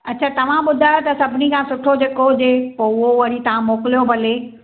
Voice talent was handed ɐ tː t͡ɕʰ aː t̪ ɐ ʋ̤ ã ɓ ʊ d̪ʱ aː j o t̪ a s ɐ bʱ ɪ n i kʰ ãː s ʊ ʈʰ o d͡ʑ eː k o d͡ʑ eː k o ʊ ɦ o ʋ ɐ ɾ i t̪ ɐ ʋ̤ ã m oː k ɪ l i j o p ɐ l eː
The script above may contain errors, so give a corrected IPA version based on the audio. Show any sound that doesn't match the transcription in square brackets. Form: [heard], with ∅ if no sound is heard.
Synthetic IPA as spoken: ɐ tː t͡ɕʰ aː t̪ ɐ ʋ̤ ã ɓ ʊ d̪ʱ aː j o t̪ [ɐ] s ɐ bʱ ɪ n i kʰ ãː s ʊ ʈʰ o d͡ʑ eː k o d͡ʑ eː [p] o ʊ ɦ o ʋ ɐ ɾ i t̪ ɐ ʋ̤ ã m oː k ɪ l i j o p ɐ l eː